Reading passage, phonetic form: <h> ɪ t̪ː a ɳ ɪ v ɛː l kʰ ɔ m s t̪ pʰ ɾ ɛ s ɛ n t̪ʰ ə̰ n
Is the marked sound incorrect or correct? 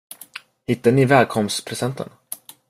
correct